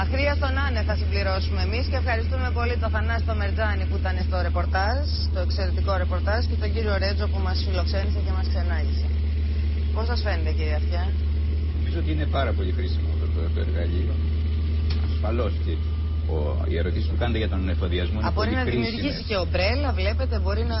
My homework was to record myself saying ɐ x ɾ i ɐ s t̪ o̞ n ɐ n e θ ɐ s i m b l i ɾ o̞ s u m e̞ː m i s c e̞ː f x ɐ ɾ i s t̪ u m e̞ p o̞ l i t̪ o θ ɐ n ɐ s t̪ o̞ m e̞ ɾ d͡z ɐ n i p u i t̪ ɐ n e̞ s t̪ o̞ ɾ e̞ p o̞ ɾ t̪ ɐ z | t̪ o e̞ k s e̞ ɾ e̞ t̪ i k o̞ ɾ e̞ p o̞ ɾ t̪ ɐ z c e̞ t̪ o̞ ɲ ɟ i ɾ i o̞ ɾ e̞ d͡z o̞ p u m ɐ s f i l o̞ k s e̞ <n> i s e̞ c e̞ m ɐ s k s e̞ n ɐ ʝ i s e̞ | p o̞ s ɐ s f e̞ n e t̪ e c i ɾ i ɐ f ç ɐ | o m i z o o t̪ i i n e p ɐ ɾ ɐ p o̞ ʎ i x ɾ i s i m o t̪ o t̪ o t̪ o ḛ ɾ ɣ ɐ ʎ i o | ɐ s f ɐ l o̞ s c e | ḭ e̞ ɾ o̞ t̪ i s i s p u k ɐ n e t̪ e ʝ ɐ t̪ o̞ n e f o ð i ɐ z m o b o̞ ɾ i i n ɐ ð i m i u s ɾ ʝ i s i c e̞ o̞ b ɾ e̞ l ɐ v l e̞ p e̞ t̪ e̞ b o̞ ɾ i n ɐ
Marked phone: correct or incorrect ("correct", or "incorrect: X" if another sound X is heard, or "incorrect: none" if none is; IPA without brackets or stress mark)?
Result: correct